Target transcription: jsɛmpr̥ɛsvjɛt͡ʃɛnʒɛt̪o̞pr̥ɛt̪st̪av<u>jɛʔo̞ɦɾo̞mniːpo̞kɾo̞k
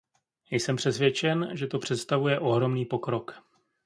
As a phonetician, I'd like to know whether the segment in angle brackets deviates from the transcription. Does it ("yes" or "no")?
no